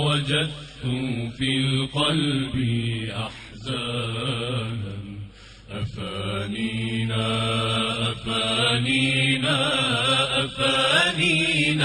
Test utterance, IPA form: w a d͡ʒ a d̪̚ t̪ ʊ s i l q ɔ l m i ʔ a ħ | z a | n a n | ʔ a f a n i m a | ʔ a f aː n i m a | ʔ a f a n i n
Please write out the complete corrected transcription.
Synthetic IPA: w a d͡ʒ a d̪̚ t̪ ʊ f i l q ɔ l b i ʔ a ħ | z a | n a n | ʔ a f a n i n a | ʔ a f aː n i n a | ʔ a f a n i n